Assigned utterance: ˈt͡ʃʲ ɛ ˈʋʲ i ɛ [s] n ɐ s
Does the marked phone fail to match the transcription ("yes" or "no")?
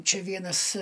yes